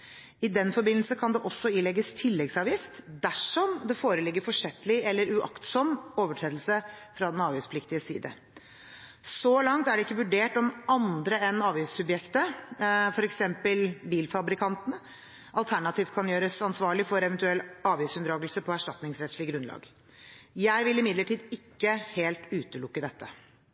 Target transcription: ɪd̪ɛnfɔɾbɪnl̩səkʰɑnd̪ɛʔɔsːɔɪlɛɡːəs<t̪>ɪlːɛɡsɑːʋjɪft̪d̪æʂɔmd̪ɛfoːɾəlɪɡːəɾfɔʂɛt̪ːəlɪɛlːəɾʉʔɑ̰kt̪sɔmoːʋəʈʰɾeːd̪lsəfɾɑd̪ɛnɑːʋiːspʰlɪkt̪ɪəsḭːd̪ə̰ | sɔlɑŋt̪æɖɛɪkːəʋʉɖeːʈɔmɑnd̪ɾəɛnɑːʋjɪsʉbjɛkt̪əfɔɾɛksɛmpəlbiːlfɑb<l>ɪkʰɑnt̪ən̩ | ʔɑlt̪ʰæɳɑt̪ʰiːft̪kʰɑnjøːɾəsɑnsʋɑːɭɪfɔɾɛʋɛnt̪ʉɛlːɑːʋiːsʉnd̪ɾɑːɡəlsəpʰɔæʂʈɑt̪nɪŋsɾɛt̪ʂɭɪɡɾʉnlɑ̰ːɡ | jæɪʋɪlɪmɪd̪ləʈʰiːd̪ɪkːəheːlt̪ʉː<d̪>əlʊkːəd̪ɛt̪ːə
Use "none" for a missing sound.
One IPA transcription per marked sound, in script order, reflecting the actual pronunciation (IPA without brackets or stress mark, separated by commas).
t̪ʰ, ɾ, t̪